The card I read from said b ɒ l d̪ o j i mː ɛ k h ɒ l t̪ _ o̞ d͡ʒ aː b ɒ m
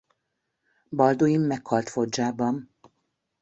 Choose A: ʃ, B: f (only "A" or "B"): B